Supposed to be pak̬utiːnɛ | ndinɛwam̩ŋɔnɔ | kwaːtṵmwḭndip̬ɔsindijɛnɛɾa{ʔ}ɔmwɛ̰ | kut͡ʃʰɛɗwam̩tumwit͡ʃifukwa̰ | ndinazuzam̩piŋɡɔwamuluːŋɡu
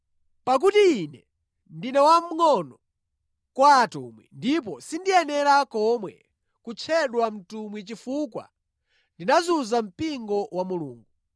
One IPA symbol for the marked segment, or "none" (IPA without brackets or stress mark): k